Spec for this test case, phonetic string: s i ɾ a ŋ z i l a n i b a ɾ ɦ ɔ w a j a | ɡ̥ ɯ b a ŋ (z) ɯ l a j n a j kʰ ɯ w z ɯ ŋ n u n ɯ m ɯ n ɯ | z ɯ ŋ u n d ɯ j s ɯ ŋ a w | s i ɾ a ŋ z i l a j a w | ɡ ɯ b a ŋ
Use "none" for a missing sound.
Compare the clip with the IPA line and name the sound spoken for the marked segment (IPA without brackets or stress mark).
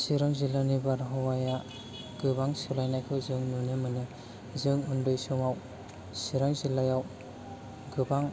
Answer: s